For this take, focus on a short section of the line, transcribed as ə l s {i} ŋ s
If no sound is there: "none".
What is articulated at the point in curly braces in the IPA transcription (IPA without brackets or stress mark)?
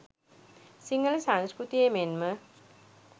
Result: a